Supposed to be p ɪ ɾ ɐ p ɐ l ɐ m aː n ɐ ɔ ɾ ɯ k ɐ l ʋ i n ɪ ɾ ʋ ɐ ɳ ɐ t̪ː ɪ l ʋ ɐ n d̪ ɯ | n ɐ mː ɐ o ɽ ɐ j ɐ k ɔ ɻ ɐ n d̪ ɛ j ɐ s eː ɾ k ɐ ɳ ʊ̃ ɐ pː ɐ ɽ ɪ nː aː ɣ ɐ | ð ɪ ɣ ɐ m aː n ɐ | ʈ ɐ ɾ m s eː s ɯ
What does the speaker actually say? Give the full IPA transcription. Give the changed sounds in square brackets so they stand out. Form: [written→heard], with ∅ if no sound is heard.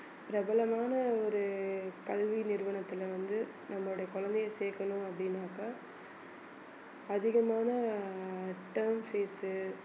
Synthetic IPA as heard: p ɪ ɾ ɐ [p→b] ɐ l ɐ m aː n ɐ ɔ ɾ ɯ k ɐ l ʋ i n ɪ ɾ ʋ ɐ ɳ ɐ t̪ː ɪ l ʋ ɐ n d̪ ɯ | n ɐ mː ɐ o ɽ ɐ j ɐ k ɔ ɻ ɐ n d̪ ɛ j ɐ s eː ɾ k ɐ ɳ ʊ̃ ɐ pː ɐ ɽ ɪ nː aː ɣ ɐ | ð ɪ ɣ ɐ m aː n ɐ | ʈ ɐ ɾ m [s→f] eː s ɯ

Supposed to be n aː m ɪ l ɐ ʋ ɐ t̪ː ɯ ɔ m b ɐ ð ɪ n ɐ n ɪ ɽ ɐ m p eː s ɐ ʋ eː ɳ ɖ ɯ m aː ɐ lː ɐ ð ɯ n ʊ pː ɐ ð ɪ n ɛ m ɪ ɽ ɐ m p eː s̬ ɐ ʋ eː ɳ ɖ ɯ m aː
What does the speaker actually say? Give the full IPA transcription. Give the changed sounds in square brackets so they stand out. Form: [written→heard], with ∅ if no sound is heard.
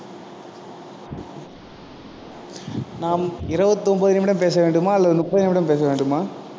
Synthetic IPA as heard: n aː m ɪ [l→ɾ] ɐ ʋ ɐ t̪ː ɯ ɔ m b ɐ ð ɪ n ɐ [n→m] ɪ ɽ ɐ m p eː s ɐ ʋ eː ɳ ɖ ɯ m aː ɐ lː ɐ ð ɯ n ʊ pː ɐ ð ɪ n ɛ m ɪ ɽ ɐ m p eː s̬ ɐ ʋ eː ɳ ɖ ɯ m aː

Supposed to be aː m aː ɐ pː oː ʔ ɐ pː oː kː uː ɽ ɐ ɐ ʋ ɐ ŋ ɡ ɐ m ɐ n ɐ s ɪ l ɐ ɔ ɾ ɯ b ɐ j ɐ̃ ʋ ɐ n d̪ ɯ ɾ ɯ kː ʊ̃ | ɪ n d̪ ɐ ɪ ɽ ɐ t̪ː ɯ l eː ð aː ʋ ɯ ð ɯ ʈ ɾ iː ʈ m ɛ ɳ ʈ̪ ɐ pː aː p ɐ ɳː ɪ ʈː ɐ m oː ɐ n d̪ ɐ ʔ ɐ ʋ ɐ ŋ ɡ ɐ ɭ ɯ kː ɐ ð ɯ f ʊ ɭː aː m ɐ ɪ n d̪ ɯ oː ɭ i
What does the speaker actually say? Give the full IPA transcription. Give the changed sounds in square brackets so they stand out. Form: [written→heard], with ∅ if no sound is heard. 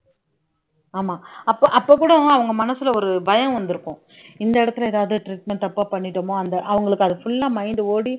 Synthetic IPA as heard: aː m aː ɐ pː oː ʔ ɐ pː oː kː uː ɽ ɐ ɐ ʋ ɐ ŋ ɡ ɐ m ɐ n ɐ s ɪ l ɐ ɔ ɾ ɯ b ɐ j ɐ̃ ʋ ɐ n d̪ ɯ ɾ ɯ kː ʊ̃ | ɪ n d̪ ɐ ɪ ɽ ɐ t̪ː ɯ l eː ð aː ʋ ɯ ð ɯ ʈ ɾ iː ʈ m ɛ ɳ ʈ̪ ɐ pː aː p ɐ ɳː ɪ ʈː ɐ m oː ɐ n d̪ ɐ ʔ ɐ ʋ ɐ ŋ ɡ ɐ ɭ ɯ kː ɐ ð ɯ f ʊ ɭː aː m ɐ ɪ n d̪ ɯ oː [ɭ→ɽ] i

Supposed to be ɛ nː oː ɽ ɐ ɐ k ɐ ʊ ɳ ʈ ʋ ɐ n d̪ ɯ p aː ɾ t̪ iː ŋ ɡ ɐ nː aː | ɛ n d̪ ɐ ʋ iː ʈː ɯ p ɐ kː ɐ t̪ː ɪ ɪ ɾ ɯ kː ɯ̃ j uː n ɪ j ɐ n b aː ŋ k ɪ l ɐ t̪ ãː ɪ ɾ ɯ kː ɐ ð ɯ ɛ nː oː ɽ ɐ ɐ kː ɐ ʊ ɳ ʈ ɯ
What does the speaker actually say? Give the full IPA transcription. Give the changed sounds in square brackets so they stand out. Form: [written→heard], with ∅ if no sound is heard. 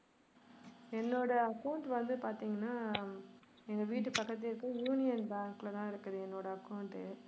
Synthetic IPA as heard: ɛ nː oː ɽ ɐ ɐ k ɐ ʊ ɳ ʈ ʋ ɐ n d̪ ɯ p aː ɾ t̪ iː ŋ ɡ ɐ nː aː | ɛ n d̪ ɐ ʋ iː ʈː ɯ p ɐ kː ɐ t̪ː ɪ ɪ ɾ ɯ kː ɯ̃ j uː n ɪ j ɐ n b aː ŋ k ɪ l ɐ t̪ ãː ɪ ɾ ɯ kː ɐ ð ɯ ɛ nː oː ɽ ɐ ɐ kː ɐ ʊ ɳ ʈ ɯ

